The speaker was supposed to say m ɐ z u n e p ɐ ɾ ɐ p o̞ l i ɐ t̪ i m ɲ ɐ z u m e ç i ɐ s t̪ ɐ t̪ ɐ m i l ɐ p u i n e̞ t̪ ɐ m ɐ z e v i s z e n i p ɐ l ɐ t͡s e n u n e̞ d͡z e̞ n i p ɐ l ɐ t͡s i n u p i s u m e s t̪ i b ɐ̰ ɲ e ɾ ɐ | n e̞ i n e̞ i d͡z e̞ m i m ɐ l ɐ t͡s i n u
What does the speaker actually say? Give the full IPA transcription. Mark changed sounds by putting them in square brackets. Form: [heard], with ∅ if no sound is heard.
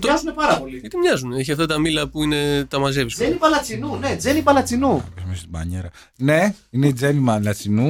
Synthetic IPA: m ɐ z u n e p ɐ ɾ ɐ p o̞ l i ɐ t̪ i m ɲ ɐ z u [n] e ç i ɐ [f] t̪ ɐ t̪ ɐ m i l ɐ p u i n e̞ t̪ ɐ m ɐ z e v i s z e n i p ɐ l ɐ t͡s [i] n u n e̞ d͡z e̞ n i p ɐ l ɐ t͡s i n u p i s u m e s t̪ i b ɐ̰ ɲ e ɾ ɐ | n e̞ i n e̞ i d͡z e̞ [n] i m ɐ l ɐ t͡s i n u